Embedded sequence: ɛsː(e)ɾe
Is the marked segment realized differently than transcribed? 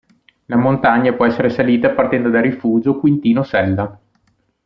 no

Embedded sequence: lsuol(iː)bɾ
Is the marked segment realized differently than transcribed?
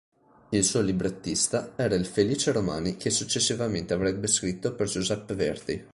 yes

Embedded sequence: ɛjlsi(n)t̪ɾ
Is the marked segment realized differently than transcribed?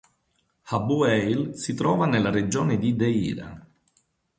yes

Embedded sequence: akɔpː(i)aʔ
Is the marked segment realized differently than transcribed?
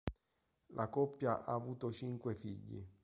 yes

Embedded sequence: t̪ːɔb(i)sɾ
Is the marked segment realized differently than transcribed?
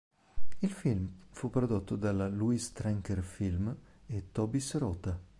no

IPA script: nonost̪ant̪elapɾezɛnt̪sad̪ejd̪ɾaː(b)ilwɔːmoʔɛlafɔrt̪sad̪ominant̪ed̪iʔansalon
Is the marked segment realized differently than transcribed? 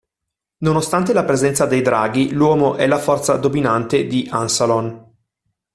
yes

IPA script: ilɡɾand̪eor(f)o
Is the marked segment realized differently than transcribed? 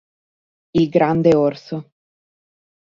yes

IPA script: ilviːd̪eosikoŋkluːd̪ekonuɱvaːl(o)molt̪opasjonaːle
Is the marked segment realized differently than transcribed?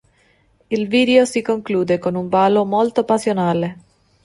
no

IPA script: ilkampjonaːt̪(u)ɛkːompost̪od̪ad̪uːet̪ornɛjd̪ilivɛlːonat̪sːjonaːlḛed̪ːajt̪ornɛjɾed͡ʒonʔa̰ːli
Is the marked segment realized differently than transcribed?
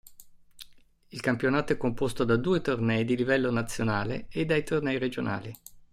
yes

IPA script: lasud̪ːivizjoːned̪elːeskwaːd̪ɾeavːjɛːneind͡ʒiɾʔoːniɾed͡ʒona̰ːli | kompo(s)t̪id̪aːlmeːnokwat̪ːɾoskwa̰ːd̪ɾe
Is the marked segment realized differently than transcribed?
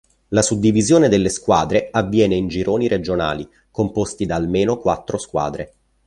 no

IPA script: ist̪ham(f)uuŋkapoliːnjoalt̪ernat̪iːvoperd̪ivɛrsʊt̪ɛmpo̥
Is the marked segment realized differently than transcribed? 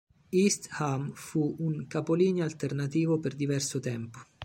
no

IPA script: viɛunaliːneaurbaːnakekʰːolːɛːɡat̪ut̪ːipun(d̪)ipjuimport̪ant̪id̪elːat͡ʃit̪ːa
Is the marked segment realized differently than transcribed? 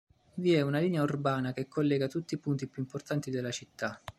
yes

